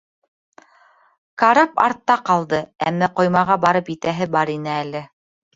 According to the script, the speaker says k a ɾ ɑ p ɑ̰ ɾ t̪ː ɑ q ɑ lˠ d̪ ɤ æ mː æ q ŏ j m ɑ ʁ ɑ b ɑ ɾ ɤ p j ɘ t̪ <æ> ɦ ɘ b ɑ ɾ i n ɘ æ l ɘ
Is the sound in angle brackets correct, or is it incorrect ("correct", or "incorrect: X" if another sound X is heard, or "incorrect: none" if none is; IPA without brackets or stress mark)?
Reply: correct